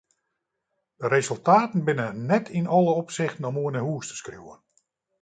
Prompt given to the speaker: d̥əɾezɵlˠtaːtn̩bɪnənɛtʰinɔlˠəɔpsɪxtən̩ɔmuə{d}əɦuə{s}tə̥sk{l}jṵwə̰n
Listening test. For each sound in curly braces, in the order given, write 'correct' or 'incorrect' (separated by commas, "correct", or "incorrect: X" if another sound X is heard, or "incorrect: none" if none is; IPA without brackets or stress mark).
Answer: incorrect: n, correct, incorrect: r